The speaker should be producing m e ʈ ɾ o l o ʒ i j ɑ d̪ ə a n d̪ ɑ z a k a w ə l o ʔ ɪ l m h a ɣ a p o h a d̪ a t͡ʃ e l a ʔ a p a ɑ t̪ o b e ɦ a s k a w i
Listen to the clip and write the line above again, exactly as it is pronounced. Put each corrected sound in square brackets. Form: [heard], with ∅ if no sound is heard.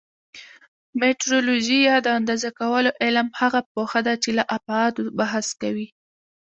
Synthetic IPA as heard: m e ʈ ɾ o l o ʒ i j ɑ d̪ ə a n d̪ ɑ z a k a w ə l o ʔ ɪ l m h a ɣ a p o [x] a d̪ a t͡ʃ e l a ʔ a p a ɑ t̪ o b [a] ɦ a s k a w i